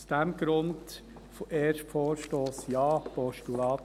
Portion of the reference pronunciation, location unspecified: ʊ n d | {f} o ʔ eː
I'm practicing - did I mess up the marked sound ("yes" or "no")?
no